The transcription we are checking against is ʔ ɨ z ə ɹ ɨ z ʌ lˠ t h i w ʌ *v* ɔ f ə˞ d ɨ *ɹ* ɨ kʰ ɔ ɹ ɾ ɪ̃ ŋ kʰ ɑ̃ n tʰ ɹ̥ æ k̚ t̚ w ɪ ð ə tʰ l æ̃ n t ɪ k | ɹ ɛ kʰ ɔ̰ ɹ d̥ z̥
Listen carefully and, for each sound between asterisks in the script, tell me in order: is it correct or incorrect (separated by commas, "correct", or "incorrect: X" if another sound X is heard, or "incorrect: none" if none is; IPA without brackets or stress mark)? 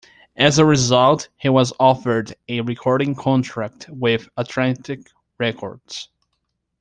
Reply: incorrect: z, correct